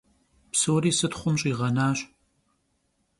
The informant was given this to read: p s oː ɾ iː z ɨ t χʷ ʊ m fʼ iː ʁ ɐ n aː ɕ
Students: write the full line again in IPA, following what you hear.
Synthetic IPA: p s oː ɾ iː s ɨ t χʷ ʊ m ɕʼ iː ʁ ɐ n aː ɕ